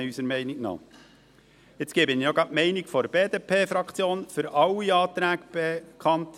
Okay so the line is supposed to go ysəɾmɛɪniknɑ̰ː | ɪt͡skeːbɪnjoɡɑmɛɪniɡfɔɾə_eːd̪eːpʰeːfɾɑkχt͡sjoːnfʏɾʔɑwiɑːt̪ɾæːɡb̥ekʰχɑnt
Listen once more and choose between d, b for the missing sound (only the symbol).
b